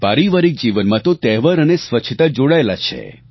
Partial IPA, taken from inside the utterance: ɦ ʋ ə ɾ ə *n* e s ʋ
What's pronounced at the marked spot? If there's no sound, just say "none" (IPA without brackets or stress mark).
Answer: n